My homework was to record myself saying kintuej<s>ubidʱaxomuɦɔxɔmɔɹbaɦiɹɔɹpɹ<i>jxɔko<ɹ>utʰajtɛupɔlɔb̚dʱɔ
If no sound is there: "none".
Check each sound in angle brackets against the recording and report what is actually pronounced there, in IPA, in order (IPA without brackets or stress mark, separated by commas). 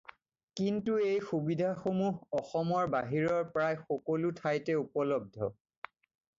x, a, l